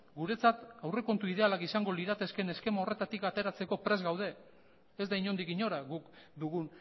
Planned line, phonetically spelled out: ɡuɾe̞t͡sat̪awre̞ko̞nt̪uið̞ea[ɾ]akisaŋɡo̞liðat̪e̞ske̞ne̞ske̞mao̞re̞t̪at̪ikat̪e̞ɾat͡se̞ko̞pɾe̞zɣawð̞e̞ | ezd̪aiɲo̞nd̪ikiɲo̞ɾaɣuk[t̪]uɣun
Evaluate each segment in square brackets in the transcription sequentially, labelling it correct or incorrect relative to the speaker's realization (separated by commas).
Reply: incorrect, incorrect